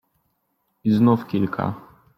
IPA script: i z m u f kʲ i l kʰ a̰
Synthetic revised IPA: i z n u f kʲ i l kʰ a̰